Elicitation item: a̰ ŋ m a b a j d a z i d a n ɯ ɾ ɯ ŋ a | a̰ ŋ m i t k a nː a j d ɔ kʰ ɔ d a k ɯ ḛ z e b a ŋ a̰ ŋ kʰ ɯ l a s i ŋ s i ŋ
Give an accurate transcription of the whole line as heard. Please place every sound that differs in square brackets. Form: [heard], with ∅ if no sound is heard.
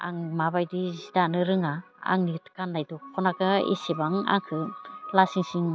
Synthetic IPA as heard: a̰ ŋ m a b a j d [i] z i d a n ɯ ɾ ɯ ŋ a | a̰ ŋ [n] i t k a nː a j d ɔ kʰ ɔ [n] a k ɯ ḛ [s] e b a ŋ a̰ ŋ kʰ ɯ l a s i ŋ s i ŋ